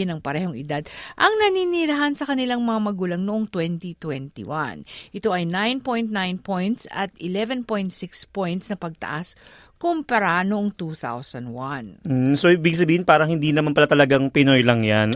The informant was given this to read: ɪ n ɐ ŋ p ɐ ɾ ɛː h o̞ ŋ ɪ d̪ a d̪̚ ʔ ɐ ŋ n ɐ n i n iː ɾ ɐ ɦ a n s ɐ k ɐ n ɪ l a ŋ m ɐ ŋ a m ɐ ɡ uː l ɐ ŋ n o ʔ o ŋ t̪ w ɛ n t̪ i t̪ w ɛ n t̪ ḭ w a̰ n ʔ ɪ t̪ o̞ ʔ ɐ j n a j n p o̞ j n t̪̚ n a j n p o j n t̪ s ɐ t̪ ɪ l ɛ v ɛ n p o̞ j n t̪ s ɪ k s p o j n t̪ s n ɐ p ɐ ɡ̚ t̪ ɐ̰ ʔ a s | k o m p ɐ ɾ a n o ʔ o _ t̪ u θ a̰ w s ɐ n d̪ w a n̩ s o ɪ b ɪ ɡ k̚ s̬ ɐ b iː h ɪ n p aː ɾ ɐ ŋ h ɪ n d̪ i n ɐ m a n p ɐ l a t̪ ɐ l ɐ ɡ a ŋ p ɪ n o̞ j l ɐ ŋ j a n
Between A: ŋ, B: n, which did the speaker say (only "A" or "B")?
A